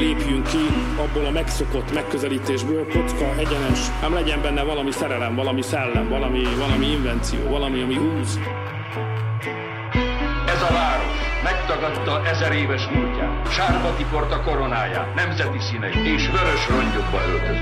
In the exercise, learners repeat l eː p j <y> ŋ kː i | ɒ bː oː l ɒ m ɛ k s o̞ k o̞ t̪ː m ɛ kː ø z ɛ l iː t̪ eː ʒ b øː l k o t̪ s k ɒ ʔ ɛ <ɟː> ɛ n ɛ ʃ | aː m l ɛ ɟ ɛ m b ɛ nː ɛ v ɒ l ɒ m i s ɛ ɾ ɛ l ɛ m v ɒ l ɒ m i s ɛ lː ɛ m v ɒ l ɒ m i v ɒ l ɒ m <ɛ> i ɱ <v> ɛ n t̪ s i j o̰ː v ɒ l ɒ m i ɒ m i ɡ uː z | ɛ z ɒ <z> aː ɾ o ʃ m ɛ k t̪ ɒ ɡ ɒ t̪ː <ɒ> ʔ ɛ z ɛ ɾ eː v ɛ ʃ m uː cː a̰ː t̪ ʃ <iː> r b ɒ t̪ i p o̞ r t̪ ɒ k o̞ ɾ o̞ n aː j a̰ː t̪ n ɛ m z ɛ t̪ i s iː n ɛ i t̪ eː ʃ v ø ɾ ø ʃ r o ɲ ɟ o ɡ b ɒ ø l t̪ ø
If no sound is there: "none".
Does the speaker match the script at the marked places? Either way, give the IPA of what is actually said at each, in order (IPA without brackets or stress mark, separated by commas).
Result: y, ɟ, i, v, v, ɒ, aː